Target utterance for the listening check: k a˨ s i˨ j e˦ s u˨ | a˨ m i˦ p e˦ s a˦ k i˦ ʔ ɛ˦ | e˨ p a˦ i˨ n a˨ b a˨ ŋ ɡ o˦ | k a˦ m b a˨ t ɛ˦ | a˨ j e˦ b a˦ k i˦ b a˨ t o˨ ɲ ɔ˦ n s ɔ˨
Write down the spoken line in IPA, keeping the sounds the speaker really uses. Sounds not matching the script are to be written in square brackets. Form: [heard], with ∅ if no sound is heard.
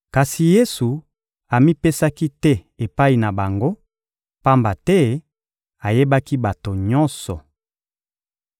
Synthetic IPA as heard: k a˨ s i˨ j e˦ s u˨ | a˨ m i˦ p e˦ s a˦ k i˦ [t] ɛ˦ | e˨ p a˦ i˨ n a˨ b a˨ ŋ ɡ o˦ | [p] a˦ m b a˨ t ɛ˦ | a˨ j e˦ b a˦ k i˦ b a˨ t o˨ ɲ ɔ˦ n s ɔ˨